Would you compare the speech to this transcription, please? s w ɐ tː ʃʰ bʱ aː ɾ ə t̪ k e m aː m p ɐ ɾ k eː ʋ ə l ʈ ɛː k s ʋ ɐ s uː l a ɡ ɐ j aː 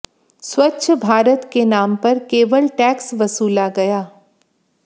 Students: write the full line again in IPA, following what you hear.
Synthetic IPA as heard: s w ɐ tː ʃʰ bʱ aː ɾ ə t̪ k e n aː m p ɐ ɾ k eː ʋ ə l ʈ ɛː k s ʋ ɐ s uː l a ɡ ɐ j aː